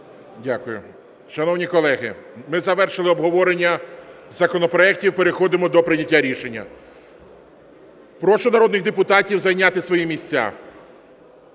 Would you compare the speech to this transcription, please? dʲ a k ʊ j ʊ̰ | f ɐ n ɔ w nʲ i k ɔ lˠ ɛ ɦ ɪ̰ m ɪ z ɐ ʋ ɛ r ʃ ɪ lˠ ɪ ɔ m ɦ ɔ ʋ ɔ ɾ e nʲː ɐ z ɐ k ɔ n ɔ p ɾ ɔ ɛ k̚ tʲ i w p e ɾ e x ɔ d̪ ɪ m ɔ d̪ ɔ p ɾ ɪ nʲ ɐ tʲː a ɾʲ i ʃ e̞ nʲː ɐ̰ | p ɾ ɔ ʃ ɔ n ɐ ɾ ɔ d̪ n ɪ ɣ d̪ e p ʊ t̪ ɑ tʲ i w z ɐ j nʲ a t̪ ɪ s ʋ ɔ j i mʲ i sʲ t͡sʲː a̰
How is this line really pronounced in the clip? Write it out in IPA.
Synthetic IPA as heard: dʲ a k ʊ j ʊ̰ | ʃ ɐ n ɔ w nʲ i k ɔ lˠ ɛ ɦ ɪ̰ m ɪ z ɐ ʋ ɛ r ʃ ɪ lˠ ɪ ɔ b ɦ ɔ ʋ ɔ ɾ e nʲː ɐ z ɐ k ɔ n ɔ p ɾ ɔ ɛ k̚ tʲ i w p e ɾ e x ɔ d̪ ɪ m ɔ d̪ ɔ p ɾ ɪ nʲ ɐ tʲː a ɾʲ i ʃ e̞ nʲː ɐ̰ | p ɾ ɔ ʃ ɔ n ɐ ɾ ɔ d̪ n ɪ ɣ d̪ e p ʊ t̪ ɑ tʲ i w z ɐ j nʲ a t̪ ɪ s ʋ ɔ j i mʲ i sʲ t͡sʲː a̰